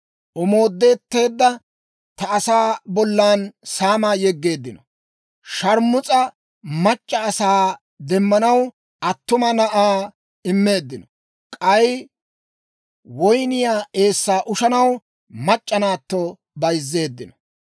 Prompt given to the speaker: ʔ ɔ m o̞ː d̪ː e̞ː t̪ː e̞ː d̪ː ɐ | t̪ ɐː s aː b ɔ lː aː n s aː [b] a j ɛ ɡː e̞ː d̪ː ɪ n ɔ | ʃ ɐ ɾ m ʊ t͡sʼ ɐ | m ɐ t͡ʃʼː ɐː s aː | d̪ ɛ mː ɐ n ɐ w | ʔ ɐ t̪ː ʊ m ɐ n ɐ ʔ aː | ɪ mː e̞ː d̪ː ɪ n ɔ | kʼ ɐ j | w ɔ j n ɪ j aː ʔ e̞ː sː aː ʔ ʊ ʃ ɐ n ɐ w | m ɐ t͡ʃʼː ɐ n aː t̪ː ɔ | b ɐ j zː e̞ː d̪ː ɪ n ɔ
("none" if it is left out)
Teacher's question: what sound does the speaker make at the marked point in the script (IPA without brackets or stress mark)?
m